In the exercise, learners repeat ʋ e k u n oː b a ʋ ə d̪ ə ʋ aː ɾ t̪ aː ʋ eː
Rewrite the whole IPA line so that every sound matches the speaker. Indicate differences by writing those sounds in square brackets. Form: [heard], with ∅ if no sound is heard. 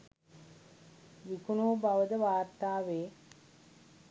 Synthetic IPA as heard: ʋ [i] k u n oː b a ʋ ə d̪ ə ʋ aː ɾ t̪ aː ʋ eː